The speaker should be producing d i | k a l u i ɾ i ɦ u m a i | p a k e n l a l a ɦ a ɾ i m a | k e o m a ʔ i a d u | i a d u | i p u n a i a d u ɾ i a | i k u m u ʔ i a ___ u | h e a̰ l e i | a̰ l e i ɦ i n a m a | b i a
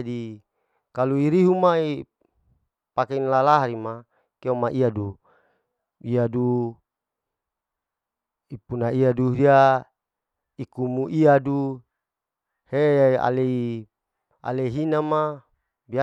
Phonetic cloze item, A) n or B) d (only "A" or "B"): B